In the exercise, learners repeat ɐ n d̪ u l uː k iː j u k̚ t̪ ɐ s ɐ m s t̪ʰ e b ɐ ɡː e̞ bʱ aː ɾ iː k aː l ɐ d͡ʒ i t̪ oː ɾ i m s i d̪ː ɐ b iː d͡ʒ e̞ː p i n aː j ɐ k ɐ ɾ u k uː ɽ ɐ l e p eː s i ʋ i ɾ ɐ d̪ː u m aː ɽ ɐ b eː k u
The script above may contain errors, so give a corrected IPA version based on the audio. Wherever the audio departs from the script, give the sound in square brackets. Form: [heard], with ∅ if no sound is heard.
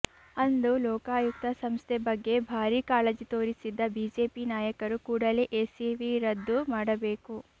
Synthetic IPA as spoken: ɐ n d̪ u l [ɔː] k [aː] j u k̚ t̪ ɐ s ɐ m s t̪ʰ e b ɐ ɡː e̞ bʱ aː ɾ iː k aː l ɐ d͡ʒ i t̪ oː ɾ i [∅] s i d̪ː ɐ b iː d͡ʒ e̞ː p i n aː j ɐ k ɐ ɾ u k uː ɽ ɐ l e [ʔ] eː s i ʋ i ɾ ɐ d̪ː u m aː ɽ ɐ b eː k u